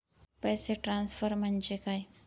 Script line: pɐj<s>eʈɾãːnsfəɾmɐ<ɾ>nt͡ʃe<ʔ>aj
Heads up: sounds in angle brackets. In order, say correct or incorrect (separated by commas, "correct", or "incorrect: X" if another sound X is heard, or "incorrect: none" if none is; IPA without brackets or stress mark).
correct, incorrect: none, incorrect: k